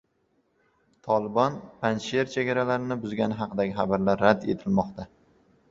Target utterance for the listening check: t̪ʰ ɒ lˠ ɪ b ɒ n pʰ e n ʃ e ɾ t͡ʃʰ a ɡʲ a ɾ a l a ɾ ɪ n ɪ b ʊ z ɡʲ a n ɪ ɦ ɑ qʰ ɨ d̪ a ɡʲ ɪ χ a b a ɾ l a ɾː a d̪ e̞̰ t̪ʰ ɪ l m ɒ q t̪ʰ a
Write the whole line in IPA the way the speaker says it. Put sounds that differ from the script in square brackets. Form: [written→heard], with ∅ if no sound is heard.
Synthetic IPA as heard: t̪ʰ ɒ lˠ ɪ b ɒ n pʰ [e→a] n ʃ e ɾ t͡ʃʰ [a→e] ɡʲ a ɾ a l a ɾ ɪ n ɪ b ʊ z ɡʲ a n ɪ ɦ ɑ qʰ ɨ d̪ a ɡʲ ɪ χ a b a ɾ l a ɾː a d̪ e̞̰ t̪ʰ ɪ l m ɒ q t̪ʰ a